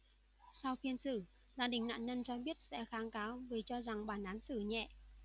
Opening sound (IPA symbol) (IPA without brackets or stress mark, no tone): s